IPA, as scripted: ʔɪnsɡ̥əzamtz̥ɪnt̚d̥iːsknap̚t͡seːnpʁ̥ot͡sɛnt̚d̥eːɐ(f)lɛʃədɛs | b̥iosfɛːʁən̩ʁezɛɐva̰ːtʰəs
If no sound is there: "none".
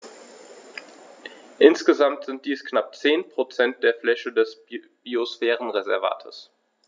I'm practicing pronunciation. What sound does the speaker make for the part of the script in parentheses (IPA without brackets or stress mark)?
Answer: f